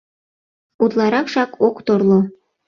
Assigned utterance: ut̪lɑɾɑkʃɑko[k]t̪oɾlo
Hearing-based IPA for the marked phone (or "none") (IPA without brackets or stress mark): k